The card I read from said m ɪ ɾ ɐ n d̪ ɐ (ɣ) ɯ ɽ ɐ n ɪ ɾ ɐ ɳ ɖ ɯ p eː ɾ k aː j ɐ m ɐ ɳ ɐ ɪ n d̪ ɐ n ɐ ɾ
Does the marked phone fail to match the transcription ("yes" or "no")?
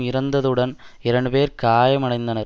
yes